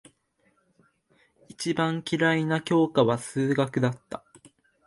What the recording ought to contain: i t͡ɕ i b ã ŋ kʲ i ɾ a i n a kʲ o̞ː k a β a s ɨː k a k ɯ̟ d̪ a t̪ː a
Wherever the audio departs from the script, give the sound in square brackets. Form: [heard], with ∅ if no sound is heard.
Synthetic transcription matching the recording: i t͡ɕ i b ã ŋ kʲ i ɾ a i n a kʲ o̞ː k a β a s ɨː [ɡ] a k ɯ̟ d̪ a t̪ː a